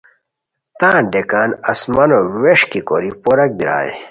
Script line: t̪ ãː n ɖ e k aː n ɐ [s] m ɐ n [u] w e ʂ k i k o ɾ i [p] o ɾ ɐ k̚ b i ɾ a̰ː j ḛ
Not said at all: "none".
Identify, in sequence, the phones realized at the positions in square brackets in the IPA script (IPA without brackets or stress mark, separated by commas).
s, o, p